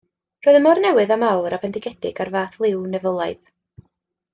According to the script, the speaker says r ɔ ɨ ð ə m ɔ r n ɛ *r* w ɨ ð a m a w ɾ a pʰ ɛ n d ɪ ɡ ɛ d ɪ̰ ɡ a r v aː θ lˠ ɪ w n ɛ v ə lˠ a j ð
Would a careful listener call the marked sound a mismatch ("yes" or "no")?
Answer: yes